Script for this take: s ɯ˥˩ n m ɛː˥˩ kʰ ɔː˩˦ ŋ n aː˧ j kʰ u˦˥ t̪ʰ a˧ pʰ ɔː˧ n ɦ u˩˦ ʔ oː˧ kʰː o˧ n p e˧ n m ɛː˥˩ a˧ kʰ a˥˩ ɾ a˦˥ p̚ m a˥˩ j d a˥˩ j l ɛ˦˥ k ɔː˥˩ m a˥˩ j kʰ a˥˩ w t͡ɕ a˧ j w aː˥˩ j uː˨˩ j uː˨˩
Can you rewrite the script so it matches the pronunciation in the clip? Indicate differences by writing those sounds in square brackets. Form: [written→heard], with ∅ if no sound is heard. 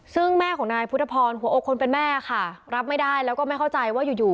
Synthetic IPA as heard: s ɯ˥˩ [n→ŋ] m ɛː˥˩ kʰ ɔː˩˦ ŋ n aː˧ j [kʰ→pʰ] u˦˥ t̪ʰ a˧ pʰ ɔː˧ n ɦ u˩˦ ʔ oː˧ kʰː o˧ n p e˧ n m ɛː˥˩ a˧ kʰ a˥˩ ɾ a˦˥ p̚ m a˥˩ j d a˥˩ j l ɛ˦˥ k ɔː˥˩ m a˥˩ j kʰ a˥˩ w t͡ɕ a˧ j w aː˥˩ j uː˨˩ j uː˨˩